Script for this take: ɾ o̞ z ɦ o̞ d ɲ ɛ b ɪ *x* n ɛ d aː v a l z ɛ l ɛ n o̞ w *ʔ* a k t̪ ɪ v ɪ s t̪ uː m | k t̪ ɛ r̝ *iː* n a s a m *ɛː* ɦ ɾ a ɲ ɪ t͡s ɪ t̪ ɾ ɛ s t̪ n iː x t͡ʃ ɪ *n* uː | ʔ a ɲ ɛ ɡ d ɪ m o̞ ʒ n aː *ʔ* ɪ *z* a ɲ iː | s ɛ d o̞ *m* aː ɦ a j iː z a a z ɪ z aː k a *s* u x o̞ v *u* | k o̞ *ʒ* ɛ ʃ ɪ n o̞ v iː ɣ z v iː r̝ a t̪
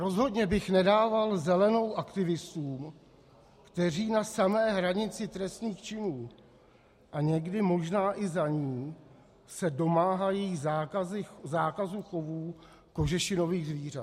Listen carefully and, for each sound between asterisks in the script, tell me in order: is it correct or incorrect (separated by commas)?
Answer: correct, correct, correct, correct, correct, correct, correct, correct, incorrect, incorrect, correct